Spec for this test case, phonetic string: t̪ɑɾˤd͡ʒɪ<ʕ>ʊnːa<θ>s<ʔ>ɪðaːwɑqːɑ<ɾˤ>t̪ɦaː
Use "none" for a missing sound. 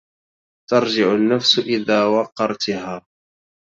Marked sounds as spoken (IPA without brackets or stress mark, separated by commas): ʕ, f, ʔ, ɾˤ